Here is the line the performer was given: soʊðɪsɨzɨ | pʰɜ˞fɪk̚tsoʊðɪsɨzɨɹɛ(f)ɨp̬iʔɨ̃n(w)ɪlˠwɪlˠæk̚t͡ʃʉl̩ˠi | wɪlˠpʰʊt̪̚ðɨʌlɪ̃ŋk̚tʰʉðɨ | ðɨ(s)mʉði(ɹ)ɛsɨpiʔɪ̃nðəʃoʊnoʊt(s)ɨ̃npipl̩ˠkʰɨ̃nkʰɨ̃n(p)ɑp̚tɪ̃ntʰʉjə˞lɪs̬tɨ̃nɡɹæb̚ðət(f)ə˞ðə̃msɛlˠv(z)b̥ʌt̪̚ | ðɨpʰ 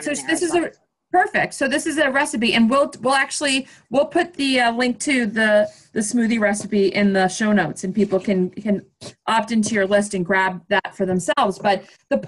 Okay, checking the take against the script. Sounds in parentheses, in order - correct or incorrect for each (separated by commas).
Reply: incorrect, correct, correct, correct, correct, incorrect, correct, correct